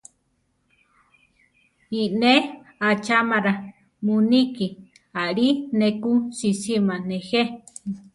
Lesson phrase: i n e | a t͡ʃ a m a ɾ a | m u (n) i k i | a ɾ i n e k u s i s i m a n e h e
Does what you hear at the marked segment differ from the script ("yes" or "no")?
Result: no